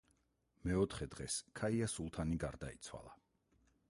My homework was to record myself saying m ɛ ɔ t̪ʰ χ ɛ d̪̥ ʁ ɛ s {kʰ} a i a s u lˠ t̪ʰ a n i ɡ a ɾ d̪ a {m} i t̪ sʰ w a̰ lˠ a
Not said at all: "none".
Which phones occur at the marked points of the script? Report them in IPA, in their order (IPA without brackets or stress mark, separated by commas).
kʰ, none